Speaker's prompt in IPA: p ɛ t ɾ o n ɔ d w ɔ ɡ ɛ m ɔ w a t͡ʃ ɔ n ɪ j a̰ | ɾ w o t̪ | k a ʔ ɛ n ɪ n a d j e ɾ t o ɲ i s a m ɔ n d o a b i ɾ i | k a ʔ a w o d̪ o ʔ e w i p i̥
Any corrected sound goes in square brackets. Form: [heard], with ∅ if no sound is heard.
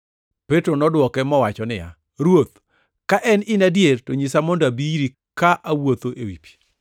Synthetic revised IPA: p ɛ t ɾ o n ɔ d w ɔ [k] ɛ m ɔ w a t͡ʃ ɔ n ɪ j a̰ | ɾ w o t̪ | k a ʔ ɛ n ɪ n a d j e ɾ t o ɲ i s a m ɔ n d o a b i ɾ i | k a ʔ a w o [t̪] o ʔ e w i p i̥